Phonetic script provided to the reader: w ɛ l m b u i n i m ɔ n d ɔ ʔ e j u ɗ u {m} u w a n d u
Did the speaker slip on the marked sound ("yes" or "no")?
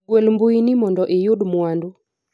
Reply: no